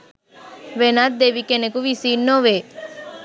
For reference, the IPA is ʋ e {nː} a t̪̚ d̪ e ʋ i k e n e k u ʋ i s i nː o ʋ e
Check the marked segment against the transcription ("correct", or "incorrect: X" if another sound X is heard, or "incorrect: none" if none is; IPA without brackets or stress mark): incorrect: n